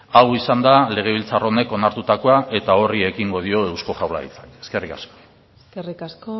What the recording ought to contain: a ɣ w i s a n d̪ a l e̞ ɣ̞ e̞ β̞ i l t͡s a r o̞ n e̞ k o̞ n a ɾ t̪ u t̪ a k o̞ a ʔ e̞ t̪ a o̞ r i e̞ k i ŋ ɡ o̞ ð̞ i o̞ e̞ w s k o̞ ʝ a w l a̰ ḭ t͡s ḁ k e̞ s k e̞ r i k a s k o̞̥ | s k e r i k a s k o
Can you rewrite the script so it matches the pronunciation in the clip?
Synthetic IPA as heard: a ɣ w i s a n d̪ a l e̞ ɣ̞ e̞ β̞ i l t͡s a r o̞ n e̞ k o̞ n a ɾ t̪ u t̪ a k o̞ a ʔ e̞ t̪ a o̞ r i e̞ k i ŋ ɡ o̞ ð̞ i o̞ e̞ w s k o̞ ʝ a w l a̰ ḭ t͡s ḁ k e̞ s k e̞ r i k a s k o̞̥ | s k e r i k a s k o